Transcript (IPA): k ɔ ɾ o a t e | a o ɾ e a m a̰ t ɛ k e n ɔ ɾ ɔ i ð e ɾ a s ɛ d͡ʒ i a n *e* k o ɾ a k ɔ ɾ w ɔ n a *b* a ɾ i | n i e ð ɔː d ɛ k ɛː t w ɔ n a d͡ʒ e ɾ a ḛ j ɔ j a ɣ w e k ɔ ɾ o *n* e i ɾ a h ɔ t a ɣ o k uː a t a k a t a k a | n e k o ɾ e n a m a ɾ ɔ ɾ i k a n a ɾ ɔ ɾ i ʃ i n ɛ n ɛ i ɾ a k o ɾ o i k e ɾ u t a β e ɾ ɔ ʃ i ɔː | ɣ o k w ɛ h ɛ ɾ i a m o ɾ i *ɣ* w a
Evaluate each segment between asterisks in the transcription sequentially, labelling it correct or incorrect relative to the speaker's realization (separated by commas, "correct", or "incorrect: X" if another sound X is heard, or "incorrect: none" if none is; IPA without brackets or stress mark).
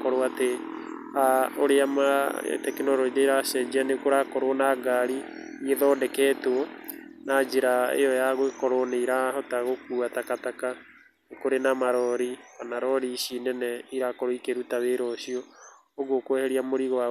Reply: correct, incorrect: ɡ, correct, correct